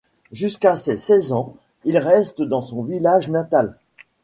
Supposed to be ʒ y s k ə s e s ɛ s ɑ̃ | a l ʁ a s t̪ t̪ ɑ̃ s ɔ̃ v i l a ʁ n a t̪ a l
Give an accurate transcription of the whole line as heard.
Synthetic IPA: ʒ y s k a s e s ɛ z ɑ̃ | i l ʁ ɛ s t̪ d̪ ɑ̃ s ɔ̃ v i l a ʒ n a t̪ a l

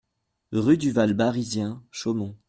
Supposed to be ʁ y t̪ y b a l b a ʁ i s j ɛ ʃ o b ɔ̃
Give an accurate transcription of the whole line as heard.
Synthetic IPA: ʁ y d̪ y v a l b a ʁ i z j ɛ̃ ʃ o m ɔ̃

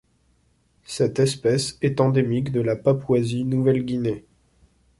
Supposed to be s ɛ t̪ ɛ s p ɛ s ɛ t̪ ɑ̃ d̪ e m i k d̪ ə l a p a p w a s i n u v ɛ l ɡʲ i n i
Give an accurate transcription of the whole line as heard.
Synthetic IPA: s ɛ t̪ ɛ s p ɛ s ɛ t̪ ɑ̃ d̪ e m i k d̪ ə l a p a p w a z i n u v ɛ l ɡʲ i n e

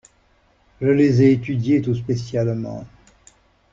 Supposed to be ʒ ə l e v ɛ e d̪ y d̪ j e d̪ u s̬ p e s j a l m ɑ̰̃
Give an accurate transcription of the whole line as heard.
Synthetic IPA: ʒ ə l e z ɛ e t̪ y d̪ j e t̪ u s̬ p e s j a l m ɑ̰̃

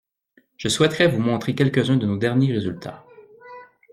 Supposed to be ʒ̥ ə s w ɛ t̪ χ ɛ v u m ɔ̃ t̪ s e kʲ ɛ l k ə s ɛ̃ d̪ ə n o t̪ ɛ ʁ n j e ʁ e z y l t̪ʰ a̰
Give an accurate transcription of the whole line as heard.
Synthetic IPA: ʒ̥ ə s w ɛ t̪ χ ɛ v u m ɔ̃ t̪ χ e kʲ ɛ l k ə z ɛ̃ d̪ ə n o d̪ ɛ ʁ n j e ʁ e z y l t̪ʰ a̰

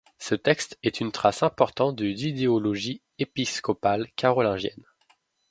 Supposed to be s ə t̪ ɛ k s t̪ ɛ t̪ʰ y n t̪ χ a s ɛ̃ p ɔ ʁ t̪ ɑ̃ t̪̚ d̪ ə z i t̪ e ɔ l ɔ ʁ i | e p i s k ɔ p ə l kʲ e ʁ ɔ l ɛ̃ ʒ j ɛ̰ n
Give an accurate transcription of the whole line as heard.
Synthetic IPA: s ə t̪ ɛ k s t̪ ɛ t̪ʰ y n t̪ χ a s ɛ̃ p ɔ ʁ t̪ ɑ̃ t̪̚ d̪ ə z i d̪ e ɔ l ɔ ʒ i | e p i s k ɔ p a l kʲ a ʁ ɔ l ɛ̃ ʒ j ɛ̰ n

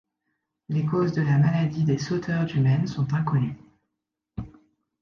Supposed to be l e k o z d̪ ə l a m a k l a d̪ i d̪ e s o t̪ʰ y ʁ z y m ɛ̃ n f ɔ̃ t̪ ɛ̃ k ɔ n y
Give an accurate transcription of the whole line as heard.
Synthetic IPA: l e k o z d̪ ə l a m a l a d̪ i d̪ e s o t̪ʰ œ ʁ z y m ɛ n s ɔ̃ t̪ ɛ̃ k ɔ n y

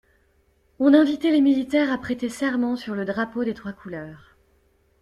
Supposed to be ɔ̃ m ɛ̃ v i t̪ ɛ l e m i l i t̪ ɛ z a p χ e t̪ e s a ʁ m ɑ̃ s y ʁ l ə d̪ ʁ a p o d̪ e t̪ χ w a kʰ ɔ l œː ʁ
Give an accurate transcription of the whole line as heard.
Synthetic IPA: ɔ̃ n ɛ̃ v i t̪ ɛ l e m i l i t̪ ɛ ʁ a p χ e t̪ e s ɛ ʁ m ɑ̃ s y ʁ l ə d̪ ʁ a p o d̪ e t̪ χ w a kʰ u l œː ʁ

